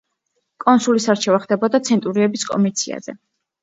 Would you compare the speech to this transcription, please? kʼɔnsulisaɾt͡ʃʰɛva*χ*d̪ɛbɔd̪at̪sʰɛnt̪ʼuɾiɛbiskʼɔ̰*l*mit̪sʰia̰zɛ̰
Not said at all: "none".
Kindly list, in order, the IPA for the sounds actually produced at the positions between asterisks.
χ, none

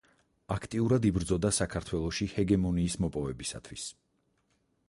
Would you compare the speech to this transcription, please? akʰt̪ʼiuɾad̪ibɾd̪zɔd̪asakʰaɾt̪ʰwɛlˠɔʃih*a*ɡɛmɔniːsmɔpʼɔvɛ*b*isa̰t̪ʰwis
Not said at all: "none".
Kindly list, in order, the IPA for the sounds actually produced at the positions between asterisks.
ɛ, b

